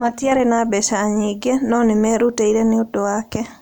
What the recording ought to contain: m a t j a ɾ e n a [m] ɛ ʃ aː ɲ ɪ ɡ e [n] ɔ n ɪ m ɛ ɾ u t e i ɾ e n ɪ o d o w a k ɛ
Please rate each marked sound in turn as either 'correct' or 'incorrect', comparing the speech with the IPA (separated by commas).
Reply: incorrect, correct